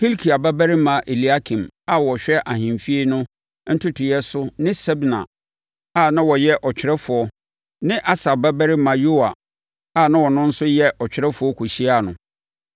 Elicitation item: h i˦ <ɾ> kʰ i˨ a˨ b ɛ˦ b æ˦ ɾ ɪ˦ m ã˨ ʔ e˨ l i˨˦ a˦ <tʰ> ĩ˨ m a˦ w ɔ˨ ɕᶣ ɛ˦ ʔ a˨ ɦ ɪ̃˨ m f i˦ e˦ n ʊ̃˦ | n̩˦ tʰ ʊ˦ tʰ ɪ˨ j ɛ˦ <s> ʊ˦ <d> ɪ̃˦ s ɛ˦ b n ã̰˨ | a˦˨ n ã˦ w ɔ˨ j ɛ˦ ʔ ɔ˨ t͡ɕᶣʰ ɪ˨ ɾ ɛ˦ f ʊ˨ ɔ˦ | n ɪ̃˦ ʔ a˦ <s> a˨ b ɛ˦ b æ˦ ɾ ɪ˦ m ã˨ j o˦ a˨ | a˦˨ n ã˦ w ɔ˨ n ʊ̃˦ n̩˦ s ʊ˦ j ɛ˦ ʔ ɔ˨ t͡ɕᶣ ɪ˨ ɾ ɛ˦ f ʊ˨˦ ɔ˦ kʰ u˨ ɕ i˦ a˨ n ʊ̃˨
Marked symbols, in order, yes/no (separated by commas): no, no, yes, no, yes